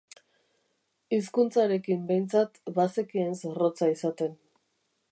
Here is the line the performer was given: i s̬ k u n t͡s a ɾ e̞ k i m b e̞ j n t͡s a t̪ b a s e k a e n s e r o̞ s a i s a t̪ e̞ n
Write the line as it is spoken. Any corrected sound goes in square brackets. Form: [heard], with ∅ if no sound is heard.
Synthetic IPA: i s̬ k u n t͡s a ɾ e̞ k i m b e̞ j n t͡s a t̪ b a s e k [i] e n s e r o̞ [t͡s] a i s a t̪ e̞ n